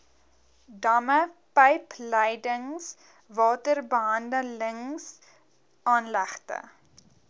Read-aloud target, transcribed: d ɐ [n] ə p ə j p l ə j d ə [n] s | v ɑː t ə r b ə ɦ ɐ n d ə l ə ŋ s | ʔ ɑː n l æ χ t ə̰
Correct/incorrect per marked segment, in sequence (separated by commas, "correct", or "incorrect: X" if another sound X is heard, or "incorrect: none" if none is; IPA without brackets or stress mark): incorrect: m, incorrect: ŋ